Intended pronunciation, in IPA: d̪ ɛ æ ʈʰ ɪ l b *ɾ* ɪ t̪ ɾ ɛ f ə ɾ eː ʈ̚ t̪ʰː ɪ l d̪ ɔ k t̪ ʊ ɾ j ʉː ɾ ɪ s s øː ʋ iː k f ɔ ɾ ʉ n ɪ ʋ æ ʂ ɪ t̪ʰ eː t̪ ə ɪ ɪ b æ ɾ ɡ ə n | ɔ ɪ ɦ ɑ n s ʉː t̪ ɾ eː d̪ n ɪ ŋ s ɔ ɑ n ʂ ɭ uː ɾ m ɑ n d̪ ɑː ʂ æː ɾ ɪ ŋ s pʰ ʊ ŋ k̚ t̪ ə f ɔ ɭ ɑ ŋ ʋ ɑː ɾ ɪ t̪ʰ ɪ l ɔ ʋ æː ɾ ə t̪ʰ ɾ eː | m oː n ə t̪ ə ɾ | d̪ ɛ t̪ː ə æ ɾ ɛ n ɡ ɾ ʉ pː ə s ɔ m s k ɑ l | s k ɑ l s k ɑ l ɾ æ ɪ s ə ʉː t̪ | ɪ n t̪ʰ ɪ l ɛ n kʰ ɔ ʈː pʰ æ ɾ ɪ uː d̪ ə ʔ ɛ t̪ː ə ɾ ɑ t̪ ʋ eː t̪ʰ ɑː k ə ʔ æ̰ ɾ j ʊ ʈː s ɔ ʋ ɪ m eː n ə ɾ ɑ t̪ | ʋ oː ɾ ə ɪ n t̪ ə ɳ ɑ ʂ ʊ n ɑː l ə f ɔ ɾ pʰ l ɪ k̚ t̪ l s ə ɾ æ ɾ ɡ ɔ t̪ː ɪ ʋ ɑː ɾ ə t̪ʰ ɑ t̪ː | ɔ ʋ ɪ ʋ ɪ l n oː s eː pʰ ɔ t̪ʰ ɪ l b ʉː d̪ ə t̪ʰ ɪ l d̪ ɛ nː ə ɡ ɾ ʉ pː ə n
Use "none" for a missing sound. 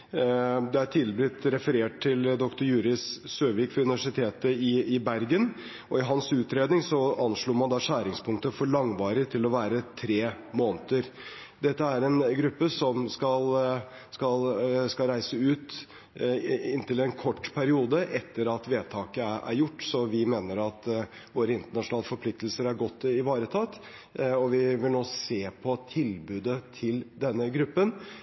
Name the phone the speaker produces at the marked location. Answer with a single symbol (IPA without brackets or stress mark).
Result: ɾ